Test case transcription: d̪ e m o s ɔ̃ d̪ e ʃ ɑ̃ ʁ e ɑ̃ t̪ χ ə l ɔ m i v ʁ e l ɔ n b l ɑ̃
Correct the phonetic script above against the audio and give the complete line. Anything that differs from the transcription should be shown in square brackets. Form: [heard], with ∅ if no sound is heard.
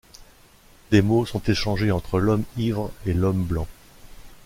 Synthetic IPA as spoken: d̪ e m o s ɔ̃ [t̪] e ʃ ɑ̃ [ʒ] e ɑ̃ t̪ χ ə l ɔ m i v ʁ e l ɔ [m] b l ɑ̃